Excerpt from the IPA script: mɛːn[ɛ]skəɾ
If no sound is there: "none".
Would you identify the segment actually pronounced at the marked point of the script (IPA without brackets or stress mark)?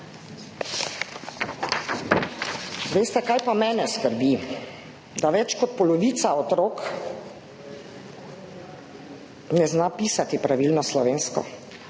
ɛ